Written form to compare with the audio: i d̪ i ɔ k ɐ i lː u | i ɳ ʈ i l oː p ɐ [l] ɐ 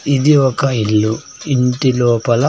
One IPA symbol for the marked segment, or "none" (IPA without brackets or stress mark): l